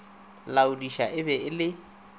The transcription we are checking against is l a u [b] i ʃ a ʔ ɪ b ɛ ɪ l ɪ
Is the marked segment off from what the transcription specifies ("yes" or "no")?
yes